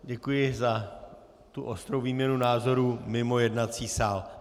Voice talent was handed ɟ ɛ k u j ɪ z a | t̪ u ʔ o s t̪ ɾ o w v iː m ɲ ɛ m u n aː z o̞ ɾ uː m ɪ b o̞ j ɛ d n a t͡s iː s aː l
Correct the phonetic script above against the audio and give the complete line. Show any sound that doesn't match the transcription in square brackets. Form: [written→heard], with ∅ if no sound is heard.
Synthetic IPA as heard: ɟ ɛ k u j ɪ z a | t̪ u ʔ o s t̪ ɾ o w v iː m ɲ ɛ [m→n] u n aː z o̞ ɾ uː m ɪ [b→m] o̞ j ɛ d n a t͡s iː s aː l